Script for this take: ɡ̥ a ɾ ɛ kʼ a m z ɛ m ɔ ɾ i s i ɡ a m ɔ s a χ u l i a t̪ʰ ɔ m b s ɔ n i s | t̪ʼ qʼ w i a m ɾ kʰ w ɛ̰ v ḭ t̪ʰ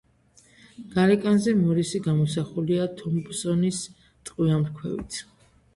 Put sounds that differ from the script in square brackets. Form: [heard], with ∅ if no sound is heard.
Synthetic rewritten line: ɡ̥ a ɾ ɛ kʼ a [n] z ɛ m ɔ ɾ i s i ɡ a m ɔ s a χ u l i a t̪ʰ ɔ m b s ɔ n i s | t̪ʼ qʼ w i a m ɾ kʰ w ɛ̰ v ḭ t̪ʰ